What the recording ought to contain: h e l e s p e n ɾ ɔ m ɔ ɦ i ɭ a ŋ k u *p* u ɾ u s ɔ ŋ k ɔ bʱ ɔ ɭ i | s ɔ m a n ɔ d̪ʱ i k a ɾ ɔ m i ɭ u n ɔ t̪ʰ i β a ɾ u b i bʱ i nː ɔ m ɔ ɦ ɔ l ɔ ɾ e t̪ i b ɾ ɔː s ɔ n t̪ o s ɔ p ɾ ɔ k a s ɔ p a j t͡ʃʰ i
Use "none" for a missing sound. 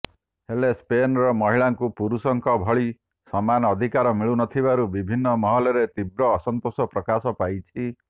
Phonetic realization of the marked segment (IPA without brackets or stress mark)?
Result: p